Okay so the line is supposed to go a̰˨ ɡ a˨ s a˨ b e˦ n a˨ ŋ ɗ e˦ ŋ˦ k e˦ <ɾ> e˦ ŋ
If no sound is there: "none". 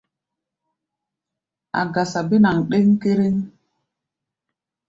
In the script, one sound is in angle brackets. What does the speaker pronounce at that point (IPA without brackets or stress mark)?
ɾ